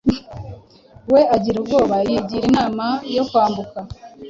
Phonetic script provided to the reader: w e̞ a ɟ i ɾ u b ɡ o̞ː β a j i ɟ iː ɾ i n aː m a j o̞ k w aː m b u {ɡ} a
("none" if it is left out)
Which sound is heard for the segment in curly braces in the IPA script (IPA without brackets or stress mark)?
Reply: k